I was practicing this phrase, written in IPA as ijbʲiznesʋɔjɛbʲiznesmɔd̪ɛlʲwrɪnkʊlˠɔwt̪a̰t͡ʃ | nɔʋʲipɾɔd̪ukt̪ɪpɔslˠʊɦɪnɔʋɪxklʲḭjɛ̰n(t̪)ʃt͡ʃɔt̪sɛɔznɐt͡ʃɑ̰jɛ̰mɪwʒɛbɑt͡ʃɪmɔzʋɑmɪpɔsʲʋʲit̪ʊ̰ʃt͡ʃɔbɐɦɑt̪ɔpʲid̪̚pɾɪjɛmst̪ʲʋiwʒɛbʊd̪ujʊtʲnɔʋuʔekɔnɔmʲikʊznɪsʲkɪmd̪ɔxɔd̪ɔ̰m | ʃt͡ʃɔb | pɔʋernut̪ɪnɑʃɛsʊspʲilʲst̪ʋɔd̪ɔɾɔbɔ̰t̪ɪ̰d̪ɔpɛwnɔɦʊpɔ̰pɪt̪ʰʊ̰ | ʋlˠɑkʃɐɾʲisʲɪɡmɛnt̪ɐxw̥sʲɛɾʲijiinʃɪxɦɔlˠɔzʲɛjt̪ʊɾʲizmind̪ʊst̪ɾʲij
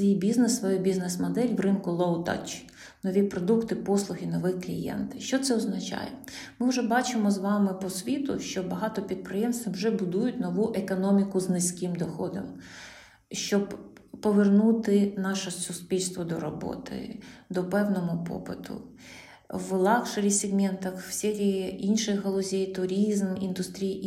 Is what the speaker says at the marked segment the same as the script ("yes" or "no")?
yes